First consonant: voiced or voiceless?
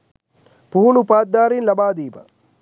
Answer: voiceless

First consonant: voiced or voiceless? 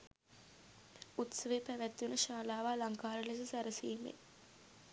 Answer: voiceless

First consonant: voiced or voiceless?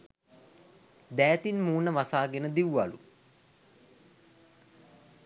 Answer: voiced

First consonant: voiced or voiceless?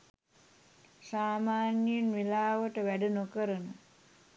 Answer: voiceless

